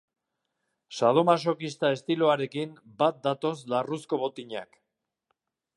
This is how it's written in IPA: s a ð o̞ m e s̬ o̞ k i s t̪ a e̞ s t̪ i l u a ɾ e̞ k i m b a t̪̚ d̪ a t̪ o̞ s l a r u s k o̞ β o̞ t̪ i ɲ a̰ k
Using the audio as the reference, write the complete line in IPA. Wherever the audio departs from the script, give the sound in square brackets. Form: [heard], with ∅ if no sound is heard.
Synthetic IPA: s a ð o̞ m [a] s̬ o̞ k i s t̪ a e̞ s t̪ i l [o] a ɾ e̞ k i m b a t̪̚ d̪ a t̪ o̞ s l a r u s k o̞ β o̞ t̪ i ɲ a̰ k